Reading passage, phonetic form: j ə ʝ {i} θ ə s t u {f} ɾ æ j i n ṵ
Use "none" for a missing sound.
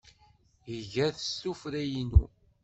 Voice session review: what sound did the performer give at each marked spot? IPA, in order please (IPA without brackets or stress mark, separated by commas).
æ, f